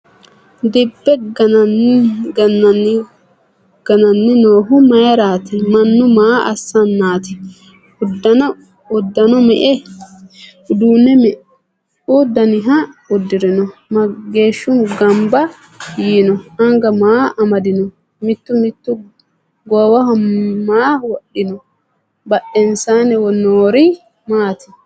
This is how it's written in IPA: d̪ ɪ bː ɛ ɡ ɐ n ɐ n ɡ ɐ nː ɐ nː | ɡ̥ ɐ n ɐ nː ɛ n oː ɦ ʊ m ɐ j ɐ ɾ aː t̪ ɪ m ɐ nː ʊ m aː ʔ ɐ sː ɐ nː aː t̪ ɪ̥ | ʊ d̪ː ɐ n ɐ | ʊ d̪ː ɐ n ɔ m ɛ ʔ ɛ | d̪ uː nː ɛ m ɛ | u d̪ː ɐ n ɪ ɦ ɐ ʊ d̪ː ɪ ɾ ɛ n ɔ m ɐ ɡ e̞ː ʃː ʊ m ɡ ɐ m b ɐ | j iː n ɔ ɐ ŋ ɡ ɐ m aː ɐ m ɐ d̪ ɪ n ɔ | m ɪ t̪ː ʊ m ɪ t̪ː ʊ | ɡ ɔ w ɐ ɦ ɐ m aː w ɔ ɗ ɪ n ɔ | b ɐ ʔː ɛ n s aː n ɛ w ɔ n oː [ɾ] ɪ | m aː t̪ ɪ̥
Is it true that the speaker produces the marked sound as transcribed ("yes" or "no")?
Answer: yes